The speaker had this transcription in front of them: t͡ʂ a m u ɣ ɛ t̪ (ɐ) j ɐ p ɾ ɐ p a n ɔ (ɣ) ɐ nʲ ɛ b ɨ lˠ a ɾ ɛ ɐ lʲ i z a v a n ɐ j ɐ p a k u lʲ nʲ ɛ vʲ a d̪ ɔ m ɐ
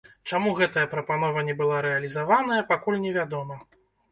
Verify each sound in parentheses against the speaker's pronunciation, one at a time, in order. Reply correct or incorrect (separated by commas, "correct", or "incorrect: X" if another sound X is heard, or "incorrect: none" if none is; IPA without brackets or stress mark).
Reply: correct, incorrect: v